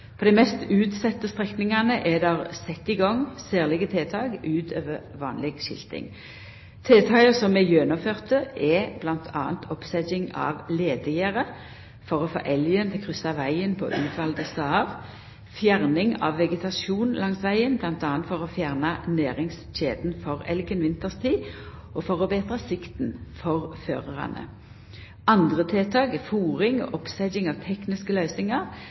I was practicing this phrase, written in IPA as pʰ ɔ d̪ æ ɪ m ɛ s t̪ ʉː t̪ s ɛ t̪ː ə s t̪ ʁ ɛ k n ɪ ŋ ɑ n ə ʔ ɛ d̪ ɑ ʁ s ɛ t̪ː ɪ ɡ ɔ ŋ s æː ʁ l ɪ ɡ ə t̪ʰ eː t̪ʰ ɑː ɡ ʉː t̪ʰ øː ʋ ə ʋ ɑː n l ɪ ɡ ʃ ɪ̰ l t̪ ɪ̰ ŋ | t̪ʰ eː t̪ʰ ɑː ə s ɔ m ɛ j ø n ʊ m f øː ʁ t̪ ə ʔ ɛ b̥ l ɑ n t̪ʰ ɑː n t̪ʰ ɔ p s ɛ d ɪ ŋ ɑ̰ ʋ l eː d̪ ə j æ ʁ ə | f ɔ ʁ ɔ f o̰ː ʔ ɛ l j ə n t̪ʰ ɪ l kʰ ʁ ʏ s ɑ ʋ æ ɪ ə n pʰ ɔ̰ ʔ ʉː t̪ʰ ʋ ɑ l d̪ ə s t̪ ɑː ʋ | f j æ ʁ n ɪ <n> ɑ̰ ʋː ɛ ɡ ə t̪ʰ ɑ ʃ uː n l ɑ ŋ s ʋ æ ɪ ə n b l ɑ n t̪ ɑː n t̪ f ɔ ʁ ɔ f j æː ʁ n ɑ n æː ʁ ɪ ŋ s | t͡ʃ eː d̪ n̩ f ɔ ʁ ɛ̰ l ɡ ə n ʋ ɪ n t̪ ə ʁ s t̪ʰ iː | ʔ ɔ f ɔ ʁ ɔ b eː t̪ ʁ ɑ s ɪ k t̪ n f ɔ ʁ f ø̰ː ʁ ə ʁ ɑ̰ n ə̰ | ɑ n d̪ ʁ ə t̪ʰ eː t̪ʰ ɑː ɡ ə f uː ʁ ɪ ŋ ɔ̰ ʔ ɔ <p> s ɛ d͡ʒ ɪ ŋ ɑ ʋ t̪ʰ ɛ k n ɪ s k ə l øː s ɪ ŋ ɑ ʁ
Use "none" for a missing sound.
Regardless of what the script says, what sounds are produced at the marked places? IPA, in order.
ŋ, p

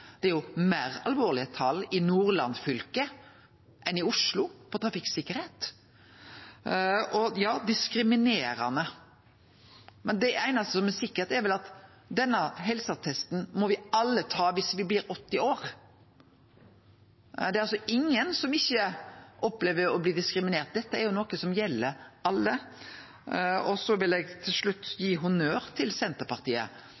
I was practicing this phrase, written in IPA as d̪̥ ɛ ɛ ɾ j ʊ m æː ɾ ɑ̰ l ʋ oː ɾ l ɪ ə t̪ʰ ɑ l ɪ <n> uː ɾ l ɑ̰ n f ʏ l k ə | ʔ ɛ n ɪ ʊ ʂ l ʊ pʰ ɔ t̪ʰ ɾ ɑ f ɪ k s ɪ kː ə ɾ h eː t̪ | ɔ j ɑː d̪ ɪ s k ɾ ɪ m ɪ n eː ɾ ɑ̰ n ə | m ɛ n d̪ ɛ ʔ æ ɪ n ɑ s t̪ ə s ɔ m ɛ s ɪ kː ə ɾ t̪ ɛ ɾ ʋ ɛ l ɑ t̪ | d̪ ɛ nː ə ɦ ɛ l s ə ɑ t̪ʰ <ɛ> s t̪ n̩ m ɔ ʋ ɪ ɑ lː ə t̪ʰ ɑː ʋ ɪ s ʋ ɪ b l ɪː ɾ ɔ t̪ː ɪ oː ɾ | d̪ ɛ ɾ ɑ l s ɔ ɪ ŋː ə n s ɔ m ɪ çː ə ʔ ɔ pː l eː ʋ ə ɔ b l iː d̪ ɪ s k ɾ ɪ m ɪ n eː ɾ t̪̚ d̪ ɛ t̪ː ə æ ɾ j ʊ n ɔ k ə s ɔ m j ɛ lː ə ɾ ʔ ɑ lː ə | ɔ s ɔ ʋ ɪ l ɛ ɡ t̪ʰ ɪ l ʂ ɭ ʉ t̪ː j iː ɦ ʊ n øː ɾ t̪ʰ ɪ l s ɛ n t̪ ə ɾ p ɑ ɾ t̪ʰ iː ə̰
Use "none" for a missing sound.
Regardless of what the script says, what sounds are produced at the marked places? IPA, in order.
n, ɛ

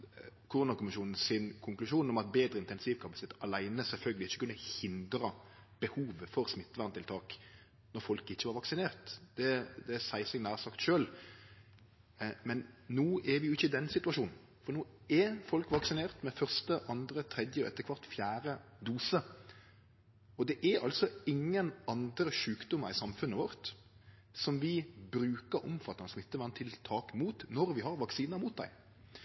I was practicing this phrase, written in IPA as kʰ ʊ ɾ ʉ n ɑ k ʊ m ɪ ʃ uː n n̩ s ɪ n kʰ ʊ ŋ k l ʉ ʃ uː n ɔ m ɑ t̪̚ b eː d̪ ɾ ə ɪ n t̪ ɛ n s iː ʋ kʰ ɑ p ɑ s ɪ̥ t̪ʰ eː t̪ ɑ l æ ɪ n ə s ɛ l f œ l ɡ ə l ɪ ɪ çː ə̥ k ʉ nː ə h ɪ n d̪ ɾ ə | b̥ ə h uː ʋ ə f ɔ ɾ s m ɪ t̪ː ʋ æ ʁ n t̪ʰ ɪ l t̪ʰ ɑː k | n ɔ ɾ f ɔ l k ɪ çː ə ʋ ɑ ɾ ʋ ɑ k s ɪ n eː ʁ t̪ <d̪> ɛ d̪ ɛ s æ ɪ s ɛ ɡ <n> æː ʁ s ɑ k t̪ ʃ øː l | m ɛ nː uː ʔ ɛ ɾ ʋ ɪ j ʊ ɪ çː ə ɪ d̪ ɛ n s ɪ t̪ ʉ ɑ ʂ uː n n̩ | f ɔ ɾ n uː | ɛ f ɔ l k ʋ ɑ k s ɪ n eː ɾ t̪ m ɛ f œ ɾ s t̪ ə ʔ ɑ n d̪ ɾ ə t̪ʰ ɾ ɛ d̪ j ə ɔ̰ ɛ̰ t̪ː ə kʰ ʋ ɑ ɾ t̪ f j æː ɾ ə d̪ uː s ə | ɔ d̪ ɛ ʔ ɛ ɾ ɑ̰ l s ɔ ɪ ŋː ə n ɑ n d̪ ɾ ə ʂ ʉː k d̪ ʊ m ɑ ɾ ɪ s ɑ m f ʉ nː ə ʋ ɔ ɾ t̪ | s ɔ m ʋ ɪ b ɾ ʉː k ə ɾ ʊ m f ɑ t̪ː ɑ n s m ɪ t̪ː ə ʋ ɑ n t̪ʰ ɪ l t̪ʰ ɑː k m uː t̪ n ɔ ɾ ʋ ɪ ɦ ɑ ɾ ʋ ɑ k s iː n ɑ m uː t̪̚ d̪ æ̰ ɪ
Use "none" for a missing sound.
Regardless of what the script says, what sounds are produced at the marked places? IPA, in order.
d̪, n

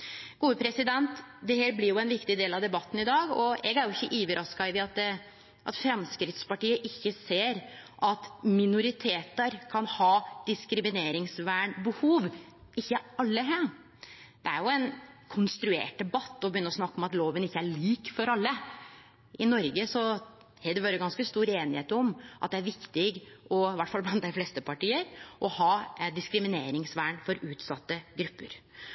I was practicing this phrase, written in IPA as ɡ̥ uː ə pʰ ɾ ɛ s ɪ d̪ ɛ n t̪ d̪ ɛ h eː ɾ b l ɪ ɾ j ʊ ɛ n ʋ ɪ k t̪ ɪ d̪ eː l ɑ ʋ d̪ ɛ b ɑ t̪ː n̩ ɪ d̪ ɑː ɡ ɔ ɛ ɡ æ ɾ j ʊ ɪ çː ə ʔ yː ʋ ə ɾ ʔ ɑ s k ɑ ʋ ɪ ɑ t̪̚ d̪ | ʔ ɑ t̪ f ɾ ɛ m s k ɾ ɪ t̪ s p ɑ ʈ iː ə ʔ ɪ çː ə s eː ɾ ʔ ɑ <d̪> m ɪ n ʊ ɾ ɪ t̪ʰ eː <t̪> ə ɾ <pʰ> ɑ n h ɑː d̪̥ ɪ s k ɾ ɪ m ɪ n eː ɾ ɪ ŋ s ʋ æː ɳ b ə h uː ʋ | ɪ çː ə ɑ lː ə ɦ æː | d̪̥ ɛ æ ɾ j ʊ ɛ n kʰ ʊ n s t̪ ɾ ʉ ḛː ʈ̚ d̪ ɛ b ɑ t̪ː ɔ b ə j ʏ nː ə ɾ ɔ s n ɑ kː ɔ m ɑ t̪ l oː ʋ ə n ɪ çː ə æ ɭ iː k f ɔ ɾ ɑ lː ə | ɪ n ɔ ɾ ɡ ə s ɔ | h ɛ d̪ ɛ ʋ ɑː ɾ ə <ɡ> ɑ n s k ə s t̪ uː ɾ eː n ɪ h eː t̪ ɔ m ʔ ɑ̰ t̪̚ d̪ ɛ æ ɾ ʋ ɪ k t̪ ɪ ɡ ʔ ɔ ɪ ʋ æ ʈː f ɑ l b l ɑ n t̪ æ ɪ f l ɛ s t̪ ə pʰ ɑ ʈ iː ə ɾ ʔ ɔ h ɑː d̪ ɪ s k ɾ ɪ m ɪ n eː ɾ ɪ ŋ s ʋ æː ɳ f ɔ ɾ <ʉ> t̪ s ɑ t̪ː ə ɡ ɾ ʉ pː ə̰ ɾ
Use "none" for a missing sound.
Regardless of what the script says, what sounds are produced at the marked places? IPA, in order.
t̪, t̪, kʰ, ɡ, ʉː

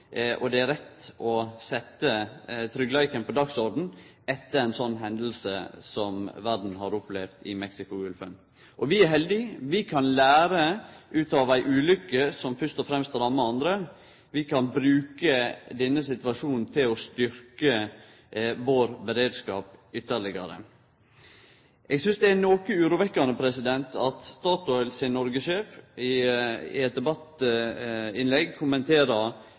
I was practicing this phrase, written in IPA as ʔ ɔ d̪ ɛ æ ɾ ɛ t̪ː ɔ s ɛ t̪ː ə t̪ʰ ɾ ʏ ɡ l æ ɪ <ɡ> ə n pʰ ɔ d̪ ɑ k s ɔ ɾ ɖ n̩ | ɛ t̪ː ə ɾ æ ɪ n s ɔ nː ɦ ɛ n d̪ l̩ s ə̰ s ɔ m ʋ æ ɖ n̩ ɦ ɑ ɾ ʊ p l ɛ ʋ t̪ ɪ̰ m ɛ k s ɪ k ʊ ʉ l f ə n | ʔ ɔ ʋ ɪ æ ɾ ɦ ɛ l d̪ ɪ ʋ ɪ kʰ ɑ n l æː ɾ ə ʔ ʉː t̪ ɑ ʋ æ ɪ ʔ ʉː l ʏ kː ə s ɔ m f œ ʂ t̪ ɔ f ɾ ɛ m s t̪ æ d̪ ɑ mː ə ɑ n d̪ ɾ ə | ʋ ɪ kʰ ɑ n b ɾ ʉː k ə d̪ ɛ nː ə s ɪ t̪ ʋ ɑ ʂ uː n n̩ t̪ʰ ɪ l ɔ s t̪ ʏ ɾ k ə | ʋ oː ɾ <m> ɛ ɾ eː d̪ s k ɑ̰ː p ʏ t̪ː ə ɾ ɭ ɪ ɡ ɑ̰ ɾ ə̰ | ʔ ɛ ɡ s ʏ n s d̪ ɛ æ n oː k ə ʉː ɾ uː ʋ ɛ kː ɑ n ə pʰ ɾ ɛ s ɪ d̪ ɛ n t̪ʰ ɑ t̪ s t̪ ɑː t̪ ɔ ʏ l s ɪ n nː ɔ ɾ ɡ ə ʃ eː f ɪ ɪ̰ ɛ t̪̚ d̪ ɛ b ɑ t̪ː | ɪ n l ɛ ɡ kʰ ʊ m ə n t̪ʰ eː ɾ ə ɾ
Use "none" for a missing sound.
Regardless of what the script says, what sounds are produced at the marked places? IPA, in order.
k, b

